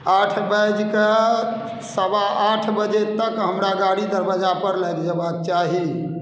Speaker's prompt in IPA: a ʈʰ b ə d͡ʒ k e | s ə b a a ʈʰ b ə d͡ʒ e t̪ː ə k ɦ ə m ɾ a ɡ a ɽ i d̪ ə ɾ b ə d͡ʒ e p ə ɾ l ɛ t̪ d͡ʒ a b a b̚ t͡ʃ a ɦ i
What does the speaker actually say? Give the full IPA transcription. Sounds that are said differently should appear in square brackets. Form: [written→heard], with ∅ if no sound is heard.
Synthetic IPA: a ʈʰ b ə d͡ʒ k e | s ə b a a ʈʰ b ə d͡ʒ e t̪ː ə k ɦ ə m ɾ a ɡ a ɽ i d̪ ə ɾ b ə d͡ʒ [e→a] p ə ɾ l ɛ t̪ d͡ʒ [a→ə] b a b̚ t͡ʃ a ɦ i